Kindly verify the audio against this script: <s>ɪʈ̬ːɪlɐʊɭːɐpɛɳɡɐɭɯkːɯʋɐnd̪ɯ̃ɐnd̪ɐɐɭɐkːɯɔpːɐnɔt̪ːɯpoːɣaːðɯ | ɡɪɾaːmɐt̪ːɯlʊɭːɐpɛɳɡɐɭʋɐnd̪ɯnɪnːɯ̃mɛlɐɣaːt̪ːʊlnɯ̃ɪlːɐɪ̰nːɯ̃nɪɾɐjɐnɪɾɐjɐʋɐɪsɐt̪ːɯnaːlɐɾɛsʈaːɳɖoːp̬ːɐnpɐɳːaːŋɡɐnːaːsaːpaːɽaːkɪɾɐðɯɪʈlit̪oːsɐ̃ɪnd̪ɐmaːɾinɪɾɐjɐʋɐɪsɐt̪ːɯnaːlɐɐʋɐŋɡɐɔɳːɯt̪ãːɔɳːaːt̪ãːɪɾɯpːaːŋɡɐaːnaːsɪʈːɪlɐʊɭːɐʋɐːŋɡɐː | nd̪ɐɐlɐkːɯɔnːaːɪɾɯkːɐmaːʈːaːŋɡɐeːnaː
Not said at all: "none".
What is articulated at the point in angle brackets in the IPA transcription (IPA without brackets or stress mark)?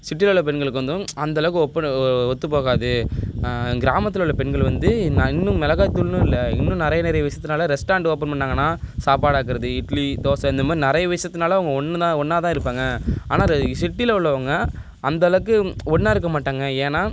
s